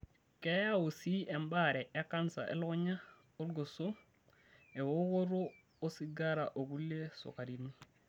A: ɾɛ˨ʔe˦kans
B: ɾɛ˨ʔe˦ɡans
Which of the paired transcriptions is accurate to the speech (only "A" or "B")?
A